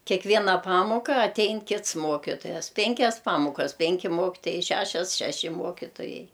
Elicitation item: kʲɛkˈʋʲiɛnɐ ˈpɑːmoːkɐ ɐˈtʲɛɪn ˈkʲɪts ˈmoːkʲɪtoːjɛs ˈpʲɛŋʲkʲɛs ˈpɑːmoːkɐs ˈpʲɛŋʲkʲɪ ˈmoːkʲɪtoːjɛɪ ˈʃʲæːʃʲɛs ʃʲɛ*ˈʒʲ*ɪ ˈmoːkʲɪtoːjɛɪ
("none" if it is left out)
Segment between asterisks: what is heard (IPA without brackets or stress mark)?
ʃʲ